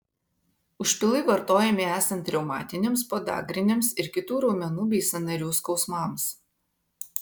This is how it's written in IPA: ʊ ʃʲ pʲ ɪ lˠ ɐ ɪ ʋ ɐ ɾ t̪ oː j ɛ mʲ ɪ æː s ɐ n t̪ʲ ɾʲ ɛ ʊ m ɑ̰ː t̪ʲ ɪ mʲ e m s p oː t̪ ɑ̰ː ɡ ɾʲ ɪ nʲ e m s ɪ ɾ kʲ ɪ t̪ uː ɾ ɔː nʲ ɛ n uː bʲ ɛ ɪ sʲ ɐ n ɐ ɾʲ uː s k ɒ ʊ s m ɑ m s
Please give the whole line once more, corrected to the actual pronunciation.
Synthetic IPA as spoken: ʊ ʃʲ pʲ ɪ lˠ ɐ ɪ ʋ ɐ ɾ t̪ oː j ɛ mʲ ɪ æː s ɐ n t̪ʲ ɾʲ ɛ ʊ m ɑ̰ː t̪ʲ ɪ nʲ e m s p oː d̪ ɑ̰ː ɡ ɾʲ ɪ nʲ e m s ɪ ɾ kʲ ɪ t̪ uː ɾ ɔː mʲ ɛ n uː bʲ ɛ ɪ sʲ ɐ n ɐ ɾʲ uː s k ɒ ʊ s m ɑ m s

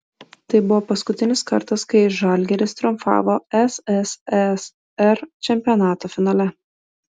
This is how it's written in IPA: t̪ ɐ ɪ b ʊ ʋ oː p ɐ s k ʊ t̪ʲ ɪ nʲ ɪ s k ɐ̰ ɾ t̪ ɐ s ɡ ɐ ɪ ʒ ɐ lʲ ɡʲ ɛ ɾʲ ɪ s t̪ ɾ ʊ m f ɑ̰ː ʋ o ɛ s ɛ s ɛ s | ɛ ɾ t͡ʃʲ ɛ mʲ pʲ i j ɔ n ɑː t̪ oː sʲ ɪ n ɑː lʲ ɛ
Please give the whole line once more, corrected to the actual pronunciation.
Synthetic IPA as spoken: t̪ ɐ ɪ b ʊ ʋ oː p ɐ s k ʊ t̪ʲ ɪ nʲ ɪ s k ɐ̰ ɾ t̪ ɐ s k ɐ ɪ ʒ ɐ lʲ ɡʲ ɛ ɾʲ ɪ s t̪ ɾ ʊ m f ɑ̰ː ʋ o ɛ s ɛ s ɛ s | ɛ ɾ t͡ʃʲ ɛ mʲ pʲ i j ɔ n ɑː t̪ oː fʲ ɪ n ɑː lʲ ɛ

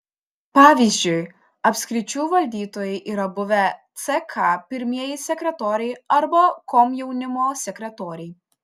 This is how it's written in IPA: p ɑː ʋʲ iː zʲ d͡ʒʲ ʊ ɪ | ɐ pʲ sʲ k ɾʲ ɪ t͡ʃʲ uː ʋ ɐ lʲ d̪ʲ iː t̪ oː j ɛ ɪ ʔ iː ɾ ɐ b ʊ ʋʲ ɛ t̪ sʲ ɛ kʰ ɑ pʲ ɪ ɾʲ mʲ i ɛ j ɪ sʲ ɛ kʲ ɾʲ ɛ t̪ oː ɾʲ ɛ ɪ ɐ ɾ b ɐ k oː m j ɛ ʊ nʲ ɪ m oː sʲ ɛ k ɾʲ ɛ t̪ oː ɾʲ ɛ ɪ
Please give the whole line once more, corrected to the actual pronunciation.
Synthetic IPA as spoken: p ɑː ʋʲ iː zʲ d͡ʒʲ ʊ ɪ | ɐ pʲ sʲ k ɾʲ ɪ t͡ʃʲ uː ʋ ɐ lʲ d̪ʲ iː t̪ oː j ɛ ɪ ʔ iː ɾ ɐ b ʊ ʋʲ ɛ t̪ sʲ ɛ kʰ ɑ pʲ ɪ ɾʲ mʲ i ɛ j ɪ sʲ ɛ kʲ ɾʲ ɛ t̪ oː ɾʲ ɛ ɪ ɐ ɾ b ɐ k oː m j ɛ ʊ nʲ ɪ m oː sʲ ɛ k ɾʲ ɛ t̪ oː ɾʲ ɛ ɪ

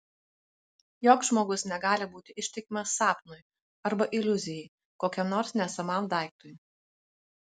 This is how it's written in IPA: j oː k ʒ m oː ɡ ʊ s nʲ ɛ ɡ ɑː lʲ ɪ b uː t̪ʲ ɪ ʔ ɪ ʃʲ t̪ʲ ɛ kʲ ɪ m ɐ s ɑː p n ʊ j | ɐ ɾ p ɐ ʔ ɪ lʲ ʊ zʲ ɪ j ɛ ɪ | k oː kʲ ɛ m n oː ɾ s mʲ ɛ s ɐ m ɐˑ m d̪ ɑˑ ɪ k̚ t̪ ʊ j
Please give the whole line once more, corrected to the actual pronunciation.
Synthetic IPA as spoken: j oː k ʒ m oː ɡ ʊ s nʲ ɛ ɡ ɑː lʲ ɪ b uː t̪ʲ ɪ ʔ ɪ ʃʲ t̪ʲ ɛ kʲ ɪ m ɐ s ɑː p n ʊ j | ɐ ɾ b ɐ ʔ ɪ lʲ ʊ zʲ ɪ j ɛ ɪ | k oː kʲ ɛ m n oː ɾ s nʲ ɛ s ɐ m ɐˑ m d̪ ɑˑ ɪ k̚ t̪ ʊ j

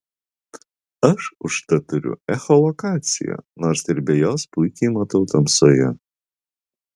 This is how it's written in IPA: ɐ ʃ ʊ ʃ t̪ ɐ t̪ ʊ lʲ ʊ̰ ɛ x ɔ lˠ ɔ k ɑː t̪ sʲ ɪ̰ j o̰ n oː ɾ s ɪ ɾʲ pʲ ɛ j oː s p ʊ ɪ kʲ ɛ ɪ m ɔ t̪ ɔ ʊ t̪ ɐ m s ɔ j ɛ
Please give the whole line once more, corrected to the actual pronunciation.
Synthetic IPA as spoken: ɐ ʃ ʊ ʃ t̪ ɐ t̪ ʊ ɾʲ ʊ̰ ɛ x ɔ lˠ ɔ k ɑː t̪ sʲ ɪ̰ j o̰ n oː ɾ s ɪ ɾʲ bʲ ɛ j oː s p ʊ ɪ kʲ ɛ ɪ m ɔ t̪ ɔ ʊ t̪ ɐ m s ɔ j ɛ

